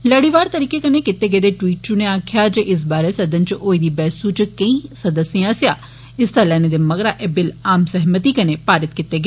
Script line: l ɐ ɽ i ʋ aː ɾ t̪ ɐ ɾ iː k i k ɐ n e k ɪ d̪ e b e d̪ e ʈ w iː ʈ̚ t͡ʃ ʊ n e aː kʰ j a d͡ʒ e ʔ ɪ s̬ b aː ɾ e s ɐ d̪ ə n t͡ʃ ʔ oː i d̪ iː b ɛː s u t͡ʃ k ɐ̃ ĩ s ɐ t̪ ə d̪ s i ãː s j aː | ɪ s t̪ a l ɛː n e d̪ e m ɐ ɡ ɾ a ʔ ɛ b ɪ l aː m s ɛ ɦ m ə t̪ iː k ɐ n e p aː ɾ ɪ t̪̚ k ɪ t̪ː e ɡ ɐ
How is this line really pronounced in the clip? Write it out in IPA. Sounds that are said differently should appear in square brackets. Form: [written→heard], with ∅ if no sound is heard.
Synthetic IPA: l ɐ ɽ i ʋ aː ɾ t̪ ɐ ɾ iː k [i→e] k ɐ n e k ɪ [d̪→t̪] e [b→ɡ] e d̪ e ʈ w iː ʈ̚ t͡ʃ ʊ n e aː kʰ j a d͡ʒ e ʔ ɪ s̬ b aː ɾ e s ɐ d̪ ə n t͡ʃ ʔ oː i d̪ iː b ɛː s u t͡ʃ k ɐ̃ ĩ s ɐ [t̪→d̪] ə [d̪→∅] s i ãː s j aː | ɪ s t̪ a l ɛː n e d̪ e m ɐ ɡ ɾ a ʔ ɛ b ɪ l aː m s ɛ ɦ m ə t̪ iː k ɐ n e p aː ɾ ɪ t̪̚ k ɪ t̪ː e ɡ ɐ